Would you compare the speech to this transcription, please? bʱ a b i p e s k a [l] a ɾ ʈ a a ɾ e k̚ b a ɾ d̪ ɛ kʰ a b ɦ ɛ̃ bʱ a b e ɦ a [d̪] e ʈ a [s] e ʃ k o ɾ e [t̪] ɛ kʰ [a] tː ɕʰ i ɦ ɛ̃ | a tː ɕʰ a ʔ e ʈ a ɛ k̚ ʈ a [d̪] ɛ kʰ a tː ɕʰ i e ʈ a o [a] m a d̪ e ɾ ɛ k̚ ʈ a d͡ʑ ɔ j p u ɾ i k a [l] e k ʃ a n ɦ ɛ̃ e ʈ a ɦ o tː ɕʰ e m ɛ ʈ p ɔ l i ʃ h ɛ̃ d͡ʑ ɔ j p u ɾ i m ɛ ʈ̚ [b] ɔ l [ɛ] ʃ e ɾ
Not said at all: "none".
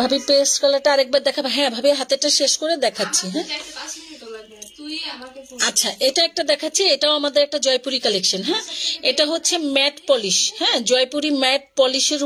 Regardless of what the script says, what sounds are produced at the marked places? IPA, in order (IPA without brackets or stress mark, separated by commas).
l, t̪, ʃ, d̪, a, d̪, a, l, p, i